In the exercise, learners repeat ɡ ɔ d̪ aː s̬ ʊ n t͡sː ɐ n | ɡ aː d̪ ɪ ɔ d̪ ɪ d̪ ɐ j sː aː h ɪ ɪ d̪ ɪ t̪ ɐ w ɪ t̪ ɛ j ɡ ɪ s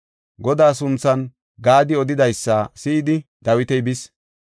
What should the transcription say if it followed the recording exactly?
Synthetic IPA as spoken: ɡ ɔ d̪ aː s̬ ʊ n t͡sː ɐ n | ɡ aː d̪ ɪ ɔ d̪ ɪ d̪ ɐ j sː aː s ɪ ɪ d̪ ɪ d̪ ɐ w ɪ t̪ ɛ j b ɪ s